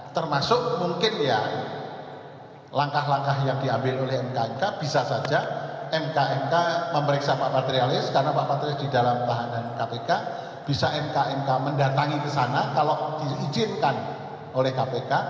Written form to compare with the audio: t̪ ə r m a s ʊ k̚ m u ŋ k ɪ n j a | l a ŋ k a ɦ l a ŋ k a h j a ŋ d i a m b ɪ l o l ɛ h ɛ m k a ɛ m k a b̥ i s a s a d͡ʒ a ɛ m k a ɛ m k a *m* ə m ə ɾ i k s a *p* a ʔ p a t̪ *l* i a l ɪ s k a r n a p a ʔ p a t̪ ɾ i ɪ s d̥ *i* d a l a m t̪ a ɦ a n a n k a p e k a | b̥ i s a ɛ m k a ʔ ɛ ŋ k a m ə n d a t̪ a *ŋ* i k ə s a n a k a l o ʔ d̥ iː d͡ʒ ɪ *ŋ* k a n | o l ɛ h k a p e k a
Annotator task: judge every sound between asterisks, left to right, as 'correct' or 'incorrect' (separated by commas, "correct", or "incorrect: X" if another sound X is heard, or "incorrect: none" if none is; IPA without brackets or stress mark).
correct, correct, incorrect: ɾ, correct, correct, incorrect: n